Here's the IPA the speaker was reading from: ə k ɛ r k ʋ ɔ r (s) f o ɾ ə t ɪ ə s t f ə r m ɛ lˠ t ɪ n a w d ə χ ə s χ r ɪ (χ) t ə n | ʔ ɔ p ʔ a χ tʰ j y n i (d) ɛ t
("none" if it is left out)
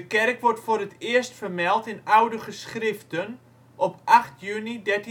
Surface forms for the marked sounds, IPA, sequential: t, f, d

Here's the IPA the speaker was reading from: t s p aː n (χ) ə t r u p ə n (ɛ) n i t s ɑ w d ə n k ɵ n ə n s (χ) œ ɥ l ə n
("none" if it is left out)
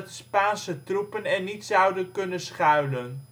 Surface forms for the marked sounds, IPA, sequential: s, ɛ, χ

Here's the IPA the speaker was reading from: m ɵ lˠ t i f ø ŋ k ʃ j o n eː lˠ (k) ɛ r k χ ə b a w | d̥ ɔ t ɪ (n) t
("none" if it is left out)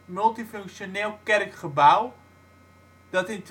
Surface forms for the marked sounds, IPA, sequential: k, n

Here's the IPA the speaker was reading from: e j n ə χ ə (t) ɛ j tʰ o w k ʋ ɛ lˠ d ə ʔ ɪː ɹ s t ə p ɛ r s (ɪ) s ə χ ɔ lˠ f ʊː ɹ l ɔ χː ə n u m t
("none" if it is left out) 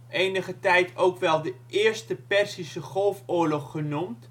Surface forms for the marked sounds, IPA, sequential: t, i

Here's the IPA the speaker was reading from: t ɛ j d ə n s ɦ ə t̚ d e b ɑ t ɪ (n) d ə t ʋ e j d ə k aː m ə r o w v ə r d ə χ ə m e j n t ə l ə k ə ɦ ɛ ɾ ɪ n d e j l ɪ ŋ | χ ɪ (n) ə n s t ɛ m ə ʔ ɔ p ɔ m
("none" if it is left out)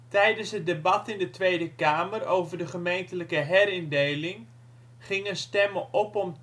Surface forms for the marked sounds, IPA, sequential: n, ŋ

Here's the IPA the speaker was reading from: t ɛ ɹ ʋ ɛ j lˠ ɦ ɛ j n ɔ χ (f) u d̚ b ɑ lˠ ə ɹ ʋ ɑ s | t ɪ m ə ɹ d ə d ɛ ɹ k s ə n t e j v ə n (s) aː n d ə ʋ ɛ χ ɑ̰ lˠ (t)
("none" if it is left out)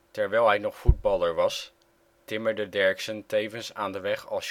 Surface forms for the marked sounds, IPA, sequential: f, s, s

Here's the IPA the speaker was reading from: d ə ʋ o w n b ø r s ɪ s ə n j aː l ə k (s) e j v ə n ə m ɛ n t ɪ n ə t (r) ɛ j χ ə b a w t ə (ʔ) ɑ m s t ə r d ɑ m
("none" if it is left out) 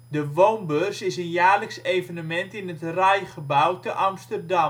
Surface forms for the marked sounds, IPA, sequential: s, r, ʔ

